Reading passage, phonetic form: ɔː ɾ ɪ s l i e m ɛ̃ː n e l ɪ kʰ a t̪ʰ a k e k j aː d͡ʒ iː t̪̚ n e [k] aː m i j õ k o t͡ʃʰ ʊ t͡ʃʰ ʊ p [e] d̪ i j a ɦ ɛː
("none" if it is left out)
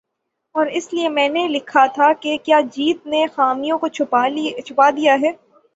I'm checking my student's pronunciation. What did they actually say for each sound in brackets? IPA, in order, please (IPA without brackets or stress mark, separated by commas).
x, a